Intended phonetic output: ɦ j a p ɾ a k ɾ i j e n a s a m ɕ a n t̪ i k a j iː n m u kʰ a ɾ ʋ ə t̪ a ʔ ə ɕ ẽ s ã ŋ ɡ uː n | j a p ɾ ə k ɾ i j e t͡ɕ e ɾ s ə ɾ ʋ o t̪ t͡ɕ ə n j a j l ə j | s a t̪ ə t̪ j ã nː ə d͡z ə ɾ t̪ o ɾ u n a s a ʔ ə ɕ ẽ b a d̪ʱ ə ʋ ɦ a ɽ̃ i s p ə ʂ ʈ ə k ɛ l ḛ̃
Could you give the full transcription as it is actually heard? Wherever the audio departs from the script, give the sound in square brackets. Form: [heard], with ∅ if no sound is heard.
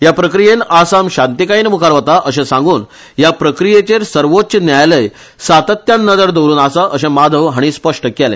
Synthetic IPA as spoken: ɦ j a p ɾ [ə] k ɾ i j e n a s a m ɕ a n t̪ i k a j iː n m u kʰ a ɾ ʋ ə t̪ a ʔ ə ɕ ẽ s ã ŋ ɡ uː n | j a p ɾ ə k ɾ i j e t͡ɕ e ɾ s ə ɾ ʋ o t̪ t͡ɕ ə n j a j l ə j | s a t̪ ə t̪ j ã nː ə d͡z ə ɾ [d̪] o ɾ [uː] n a s a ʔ ə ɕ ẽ [m] a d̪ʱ ə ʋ ɦ a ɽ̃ i s p ə ʂ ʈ ə k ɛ l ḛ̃